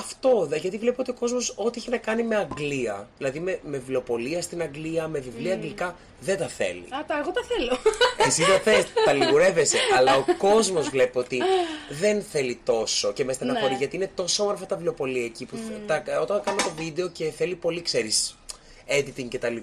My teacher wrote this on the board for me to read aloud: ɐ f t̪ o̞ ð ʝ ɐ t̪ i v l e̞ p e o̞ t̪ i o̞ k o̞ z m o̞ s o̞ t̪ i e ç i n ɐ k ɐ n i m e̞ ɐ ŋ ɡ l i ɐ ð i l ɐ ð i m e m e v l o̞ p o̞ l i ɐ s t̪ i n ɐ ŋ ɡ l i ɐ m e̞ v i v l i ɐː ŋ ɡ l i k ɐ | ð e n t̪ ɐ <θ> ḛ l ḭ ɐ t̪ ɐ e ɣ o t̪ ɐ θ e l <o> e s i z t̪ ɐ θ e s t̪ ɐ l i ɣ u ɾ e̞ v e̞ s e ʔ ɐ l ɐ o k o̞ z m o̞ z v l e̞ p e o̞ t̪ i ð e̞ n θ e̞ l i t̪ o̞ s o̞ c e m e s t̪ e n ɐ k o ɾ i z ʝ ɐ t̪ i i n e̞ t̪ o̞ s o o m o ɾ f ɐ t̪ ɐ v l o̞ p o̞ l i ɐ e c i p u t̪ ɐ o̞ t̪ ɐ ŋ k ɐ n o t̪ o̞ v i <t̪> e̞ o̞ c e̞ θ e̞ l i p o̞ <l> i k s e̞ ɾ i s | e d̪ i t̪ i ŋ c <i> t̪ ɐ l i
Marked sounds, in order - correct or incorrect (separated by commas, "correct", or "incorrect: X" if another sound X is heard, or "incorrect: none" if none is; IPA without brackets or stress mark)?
correct, correct, incorrect: d̪, correct, incorrect: e